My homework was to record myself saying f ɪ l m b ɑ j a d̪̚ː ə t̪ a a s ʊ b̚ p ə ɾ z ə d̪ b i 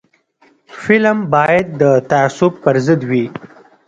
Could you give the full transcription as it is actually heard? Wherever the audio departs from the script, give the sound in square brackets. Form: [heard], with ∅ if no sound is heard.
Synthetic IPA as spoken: f ɪ l m b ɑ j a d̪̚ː ə t̪ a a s ʊ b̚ p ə ɾ z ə d̪ [w] i